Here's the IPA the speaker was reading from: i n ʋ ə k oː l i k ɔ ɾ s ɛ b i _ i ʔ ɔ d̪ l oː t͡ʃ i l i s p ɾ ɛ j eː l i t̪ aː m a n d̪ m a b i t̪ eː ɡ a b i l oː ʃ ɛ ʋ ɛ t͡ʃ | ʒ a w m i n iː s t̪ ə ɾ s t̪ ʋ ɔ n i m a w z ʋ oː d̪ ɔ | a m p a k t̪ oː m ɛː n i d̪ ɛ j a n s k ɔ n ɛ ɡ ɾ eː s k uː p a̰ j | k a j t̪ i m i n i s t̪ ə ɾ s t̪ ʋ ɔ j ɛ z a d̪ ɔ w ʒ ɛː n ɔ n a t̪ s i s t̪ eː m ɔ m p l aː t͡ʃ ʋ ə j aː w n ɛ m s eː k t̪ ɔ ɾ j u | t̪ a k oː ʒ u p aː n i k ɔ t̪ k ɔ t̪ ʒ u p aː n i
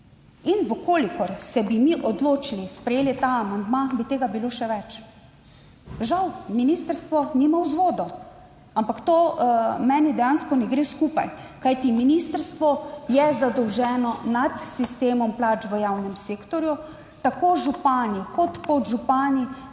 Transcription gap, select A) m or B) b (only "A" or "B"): A